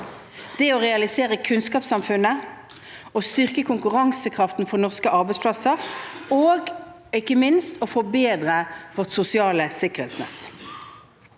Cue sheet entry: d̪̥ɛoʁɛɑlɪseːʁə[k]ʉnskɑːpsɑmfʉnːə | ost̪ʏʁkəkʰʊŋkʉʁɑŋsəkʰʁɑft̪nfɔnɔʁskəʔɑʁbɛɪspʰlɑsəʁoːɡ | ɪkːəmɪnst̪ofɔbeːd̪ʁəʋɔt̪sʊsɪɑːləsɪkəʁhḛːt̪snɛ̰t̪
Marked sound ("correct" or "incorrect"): incorrect